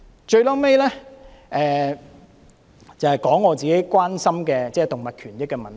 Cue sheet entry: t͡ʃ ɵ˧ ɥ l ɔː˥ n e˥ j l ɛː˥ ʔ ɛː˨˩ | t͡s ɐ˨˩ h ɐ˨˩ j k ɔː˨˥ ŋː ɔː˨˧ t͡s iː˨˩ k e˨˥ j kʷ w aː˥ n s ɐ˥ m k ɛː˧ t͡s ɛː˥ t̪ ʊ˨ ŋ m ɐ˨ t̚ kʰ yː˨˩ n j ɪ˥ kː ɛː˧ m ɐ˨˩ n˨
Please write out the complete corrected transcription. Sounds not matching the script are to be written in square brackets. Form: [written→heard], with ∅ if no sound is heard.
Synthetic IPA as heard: t͡ʃ ɵ˧ ɥ l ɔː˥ [n→m] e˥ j l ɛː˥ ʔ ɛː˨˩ | t͡s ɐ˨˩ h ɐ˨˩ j k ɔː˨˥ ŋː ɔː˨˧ t͡s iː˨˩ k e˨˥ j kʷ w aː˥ n s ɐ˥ m k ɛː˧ t͡s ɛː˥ t̪ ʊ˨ ŋ m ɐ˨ t̚ kʰ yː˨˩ n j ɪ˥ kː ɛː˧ m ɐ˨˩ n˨

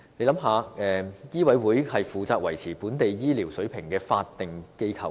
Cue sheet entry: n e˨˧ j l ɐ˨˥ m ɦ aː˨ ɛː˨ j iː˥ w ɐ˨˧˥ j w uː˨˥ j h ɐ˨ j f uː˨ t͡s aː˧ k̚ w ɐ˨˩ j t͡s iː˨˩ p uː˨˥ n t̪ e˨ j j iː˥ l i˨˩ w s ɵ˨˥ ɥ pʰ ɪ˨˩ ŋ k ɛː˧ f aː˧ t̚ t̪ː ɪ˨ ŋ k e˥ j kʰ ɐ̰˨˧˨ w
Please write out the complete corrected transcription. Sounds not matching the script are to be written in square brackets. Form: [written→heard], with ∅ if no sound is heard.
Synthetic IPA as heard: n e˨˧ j l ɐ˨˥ m ɦ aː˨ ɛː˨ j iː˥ w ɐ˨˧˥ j w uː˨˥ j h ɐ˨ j f uː˨ t͡s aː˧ k̚ w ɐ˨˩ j [t͡s→t͡sʰ] iː˨˩ p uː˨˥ n t̪ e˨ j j iː˥ l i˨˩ w s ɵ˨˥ ɥ pʰ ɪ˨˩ ŋ k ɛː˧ f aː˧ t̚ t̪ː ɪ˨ ŋ k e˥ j kʰ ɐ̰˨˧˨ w

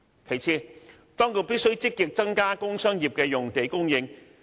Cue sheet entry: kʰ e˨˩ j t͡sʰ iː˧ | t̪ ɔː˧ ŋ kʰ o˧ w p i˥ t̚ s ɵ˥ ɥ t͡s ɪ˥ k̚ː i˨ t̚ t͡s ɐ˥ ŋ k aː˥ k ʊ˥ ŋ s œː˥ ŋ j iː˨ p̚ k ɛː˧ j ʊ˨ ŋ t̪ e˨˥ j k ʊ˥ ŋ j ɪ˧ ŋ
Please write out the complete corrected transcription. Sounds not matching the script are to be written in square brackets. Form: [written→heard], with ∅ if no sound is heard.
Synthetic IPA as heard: kʰ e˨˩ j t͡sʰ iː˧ | t̪ [ɔː˧→ɔː˥] ŋ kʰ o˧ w p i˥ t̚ s ɵ˥ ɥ t͡s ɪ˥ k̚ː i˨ [t̚→k̚] t͡s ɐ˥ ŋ k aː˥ k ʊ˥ ŋ s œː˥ ŋ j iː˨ p̚ k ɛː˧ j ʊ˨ ŋ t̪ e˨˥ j k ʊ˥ ŋ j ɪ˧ ŋ

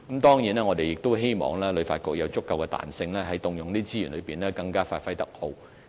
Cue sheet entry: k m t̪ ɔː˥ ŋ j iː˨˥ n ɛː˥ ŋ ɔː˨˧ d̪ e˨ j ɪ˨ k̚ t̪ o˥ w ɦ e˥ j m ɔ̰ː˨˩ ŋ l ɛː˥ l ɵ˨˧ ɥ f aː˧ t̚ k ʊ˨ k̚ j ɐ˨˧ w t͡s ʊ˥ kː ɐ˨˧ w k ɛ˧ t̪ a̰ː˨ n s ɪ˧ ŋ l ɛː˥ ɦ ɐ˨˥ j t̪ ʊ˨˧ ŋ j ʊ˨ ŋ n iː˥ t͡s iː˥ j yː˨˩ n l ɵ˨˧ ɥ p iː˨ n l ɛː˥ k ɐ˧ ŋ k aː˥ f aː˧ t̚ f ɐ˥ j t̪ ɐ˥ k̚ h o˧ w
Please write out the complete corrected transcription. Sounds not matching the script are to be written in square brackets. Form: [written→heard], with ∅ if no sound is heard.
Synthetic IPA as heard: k m t̪ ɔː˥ ŋ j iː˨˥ n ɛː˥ ŋ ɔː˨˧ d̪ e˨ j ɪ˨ k̚ t̪ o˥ w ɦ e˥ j m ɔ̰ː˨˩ ŋ l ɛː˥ l ɵ˨˧ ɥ f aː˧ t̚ k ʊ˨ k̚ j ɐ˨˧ w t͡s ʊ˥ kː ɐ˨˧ w k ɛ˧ t̪ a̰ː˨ n s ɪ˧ ŋ l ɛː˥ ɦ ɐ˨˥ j t̪ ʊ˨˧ ŋ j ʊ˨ ŋ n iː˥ t͡s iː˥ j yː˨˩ n l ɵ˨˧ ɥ p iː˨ n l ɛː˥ k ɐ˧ ŋ k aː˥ f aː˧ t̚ f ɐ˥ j t̪ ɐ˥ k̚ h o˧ w

